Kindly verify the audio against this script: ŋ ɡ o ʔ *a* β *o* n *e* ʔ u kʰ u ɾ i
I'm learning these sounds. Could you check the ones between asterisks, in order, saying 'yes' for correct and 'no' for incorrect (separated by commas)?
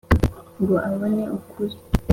yes, yes, yes